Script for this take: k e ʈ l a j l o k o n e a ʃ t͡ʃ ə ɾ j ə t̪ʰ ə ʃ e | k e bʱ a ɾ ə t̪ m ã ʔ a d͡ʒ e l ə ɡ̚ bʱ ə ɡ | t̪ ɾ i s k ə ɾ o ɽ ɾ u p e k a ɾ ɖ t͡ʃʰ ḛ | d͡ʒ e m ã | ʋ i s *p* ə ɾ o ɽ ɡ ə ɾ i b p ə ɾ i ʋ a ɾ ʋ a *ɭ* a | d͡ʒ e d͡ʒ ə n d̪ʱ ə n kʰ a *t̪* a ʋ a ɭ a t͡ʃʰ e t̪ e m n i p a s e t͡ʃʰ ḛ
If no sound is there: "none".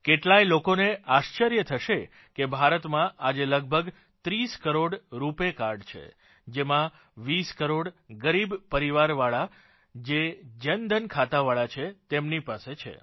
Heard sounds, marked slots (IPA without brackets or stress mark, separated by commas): k, ɭ, t̪